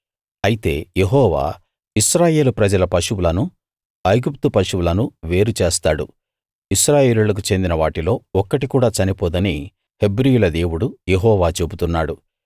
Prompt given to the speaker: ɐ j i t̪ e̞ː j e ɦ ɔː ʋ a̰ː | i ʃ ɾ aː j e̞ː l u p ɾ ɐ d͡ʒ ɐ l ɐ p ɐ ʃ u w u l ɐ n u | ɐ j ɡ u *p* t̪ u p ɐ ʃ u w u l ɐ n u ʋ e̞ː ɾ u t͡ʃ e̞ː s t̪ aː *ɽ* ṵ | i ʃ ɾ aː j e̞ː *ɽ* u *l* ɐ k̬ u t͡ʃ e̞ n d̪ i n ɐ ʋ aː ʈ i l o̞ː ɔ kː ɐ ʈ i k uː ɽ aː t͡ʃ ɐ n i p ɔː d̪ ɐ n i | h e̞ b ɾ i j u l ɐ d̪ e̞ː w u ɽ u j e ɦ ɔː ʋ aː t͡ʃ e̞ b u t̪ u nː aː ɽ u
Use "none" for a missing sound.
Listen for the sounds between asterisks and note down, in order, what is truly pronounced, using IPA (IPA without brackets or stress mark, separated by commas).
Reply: p, ɽ, l, l